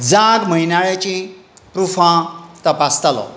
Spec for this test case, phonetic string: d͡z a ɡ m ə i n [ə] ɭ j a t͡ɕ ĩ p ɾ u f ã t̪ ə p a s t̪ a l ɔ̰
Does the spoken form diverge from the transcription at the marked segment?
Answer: yes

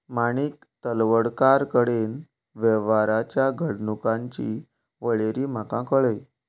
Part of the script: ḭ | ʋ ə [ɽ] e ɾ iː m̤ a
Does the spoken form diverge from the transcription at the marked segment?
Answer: yes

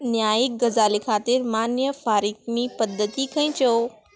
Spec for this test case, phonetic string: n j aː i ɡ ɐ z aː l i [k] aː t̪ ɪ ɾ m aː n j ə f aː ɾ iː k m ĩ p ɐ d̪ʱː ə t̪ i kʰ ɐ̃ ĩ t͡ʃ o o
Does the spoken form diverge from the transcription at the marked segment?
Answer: yes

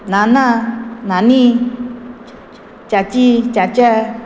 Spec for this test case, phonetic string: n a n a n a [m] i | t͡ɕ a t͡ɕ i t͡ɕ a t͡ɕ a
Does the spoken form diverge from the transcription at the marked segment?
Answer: yes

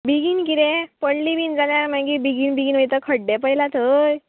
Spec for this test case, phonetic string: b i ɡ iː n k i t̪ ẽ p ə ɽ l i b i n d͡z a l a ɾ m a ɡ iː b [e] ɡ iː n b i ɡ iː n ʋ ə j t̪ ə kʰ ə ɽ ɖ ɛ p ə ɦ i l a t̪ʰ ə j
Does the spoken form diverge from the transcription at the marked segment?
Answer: yes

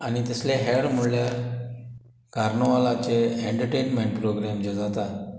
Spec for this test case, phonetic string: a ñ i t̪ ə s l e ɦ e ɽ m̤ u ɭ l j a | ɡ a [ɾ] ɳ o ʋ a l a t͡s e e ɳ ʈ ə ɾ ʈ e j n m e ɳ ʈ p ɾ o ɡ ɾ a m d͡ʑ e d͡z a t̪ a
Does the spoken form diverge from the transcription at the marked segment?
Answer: no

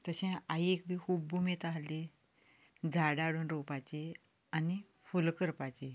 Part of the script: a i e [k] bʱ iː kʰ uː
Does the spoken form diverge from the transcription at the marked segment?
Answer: no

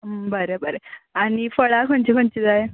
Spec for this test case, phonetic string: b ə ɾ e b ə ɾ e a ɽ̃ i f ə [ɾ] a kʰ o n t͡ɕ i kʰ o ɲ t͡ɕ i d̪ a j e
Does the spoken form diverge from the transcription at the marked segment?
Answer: yes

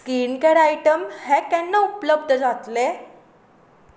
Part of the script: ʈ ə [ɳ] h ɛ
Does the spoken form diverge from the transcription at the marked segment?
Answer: yes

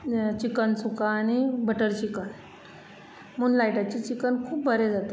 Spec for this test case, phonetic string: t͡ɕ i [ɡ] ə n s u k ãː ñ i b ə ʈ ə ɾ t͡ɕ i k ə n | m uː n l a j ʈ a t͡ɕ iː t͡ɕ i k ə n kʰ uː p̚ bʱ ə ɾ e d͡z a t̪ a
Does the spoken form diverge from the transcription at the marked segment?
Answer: yes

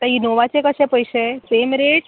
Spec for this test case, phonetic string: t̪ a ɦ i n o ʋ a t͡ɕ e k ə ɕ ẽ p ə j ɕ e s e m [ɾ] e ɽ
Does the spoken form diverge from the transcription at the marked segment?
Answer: no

